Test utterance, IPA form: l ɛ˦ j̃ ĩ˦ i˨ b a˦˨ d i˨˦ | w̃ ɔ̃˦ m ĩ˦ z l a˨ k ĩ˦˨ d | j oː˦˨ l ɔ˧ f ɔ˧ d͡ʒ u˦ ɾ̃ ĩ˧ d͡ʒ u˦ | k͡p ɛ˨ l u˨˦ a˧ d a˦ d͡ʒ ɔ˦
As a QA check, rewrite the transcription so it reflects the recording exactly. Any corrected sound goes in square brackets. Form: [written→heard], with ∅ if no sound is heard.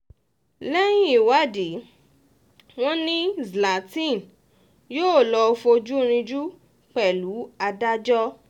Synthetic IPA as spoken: l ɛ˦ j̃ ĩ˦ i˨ [b→w] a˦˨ d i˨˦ | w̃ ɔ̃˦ [m→n] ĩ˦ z l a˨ [k→t] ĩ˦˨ [d→n] | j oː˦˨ l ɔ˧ f [ɔ˧→o˧] d͡ʒ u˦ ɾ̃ ĩ˧ d͡ʒ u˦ | k͡p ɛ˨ l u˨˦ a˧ d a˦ d͡ʒ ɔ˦